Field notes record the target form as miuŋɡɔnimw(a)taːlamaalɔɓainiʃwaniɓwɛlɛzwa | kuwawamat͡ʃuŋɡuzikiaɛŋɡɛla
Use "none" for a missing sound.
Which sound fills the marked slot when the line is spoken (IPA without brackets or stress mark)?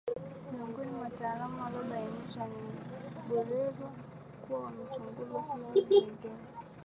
a